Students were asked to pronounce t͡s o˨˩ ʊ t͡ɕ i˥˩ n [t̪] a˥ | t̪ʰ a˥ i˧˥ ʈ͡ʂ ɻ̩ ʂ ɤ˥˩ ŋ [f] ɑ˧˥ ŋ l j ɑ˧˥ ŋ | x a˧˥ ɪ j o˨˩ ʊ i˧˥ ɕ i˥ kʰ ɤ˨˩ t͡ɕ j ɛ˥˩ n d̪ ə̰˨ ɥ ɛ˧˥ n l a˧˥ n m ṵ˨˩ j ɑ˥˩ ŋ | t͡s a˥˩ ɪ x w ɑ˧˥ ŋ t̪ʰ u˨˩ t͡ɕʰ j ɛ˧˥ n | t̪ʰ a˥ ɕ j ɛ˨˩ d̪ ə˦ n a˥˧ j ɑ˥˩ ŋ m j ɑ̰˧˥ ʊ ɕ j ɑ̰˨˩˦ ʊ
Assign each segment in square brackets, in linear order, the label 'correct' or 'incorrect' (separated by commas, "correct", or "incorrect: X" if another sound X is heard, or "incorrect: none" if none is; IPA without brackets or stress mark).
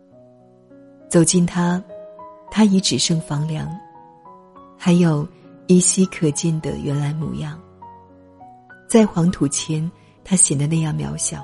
incorrect: t̪ʰ, correct